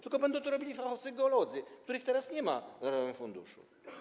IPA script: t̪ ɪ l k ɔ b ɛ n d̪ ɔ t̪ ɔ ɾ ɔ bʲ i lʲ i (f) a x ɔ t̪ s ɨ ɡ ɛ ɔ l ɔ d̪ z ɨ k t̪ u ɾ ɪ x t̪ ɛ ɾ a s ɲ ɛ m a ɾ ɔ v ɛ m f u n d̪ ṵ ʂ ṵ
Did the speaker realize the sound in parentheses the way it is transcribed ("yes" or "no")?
yes